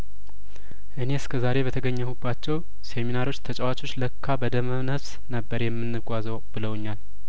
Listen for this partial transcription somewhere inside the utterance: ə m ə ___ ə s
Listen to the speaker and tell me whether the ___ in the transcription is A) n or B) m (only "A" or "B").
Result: A